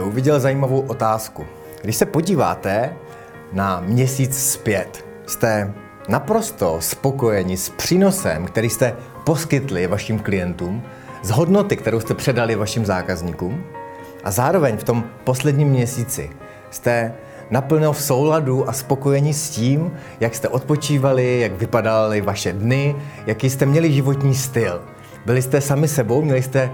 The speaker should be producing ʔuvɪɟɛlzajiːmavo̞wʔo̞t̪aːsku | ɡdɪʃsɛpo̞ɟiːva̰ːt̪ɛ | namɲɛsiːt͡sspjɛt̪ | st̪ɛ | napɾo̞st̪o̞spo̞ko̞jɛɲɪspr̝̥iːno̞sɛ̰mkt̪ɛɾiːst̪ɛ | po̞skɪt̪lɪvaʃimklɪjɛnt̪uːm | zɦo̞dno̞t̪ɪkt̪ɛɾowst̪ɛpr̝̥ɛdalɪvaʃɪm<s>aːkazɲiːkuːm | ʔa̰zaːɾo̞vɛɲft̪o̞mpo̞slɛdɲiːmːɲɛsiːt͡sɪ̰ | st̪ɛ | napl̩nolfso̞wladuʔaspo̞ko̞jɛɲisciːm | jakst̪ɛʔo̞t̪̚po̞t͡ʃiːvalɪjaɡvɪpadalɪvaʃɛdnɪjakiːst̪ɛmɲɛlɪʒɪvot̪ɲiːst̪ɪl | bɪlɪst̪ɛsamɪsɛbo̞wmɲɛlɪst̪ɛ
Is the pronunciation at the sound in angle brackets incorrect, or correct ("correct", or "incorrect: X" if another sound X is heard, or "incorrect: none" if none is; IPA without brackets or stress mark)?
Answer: incorrect: z